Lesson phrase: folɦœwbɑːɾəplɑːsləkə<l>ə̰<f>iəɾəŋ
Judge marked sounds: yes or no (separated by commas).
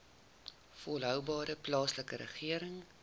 no, no